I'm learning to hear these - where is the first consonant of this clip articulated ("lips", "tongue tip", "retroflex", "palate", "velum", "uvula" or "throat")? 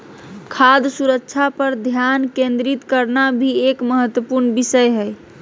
velum